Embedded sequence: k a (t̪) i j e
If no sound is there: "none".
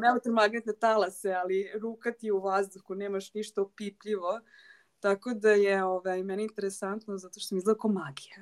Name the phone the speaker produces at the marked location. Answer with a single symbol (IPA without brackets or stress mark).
t̪